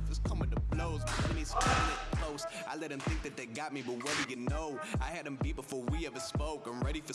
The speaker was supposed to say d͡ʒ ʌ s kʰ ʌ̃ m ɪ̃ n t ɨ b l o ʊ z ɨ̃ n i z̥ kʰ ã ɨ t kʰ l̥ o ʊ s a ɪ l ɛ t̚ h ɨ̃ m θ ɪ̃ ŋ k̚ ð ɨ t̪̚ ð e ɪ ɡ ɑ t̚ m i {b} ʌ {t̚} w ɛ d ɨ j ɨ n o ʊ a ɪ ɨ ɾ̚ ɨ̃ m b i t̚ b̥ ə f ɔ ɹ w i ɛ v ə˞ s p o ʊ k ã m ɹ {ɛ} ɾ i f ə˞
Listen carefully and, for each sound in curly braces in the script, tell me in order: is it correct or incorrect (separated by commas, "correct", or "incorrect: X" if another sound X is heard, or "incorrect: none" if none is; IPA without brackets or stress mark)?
correct, correct, correct